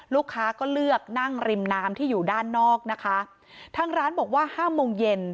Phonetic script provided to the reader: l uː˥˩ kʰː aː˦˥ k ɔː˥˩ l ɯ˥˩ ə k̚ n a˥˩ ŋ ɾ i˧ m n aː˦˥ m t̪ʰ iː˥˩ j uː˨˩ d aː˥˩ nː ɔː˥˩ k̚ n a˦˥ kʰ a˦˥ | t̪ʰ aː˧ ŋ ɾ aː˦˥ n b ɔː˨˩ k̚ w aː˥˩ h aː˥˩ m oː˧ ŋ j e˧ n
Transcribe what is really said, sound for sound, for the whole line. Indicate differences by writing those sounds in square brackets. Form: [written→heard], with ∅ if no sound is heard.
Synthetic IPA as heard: l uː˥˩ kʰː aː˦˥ k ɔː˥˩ l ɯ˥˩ ə k̚ n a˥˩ ŋ ɾ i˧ m n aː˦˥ m t̪ʰ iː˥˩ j uː˨˩ d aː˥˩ nː ɔː˥˩ k̚ n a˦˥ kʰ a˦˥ | t̪ʰ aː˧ ŋ ɾ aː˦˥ n b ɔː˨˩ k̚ w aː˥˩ h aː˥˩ m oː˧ ŋ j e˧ n